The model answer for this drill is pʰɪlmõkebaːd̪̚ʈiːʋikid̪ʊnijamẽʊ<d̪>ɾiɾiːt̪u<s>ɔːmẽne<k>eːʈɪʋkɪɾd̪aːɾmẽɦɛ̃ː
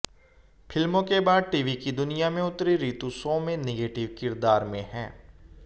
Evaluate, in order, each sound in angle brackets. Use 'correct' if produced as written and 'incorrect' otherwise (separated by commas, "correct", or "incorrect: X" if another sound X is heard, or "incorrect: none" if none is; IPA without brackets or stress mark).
incorrect: t̪, correct, incorrect: ɡ